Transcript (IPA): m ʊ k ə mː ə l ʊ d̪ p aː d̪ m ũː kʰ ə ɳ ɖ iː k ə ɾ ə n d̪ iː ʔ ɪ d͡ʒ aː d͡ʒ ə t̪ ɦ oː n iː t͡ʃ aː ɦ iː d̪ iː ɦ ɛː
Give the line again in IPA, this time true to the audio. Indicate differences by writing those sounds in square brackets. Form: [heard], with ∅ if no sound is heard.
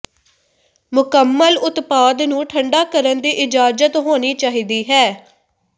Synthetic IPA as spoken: m ʊ k ə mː ə l ʊ [t̪] p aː d̪ [n] ũː [ʈʰ] ə ɳ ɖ [aː] k ə ɾ ə n d̪ iː ʔ ɪ d͡ʒ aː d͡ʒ ə t̪ ɦ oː n iː t͡ʃ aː ɦ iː d̪ iː ɦ ɛː